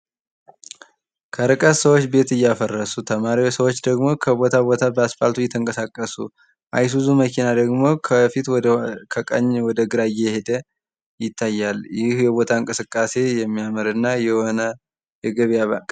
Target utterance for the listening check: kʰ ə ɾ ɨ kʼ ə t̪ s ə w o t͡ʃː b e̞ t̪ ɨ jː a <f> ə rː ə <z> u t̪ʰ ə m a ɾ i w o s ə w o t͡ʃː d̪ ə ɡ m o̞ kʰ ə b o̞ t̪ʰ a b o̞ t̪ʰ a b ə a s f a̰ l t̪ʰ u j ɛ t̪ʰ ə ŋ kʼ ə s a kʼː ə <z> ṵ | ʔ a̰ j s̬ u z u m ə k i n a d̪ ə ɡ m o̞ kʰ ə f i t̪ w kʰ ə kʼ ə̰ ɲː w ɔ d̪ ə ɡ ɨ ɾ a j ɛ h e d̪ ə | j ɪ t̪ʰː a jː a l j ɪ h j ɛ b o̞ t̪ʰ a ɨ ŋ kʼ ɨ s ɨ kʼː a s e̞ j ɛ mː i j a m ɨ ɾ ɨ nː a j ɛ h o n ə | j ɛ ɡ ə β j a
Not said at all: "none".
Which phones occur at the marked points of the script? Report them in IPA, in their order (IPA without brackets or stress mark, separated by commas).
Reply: f, s, s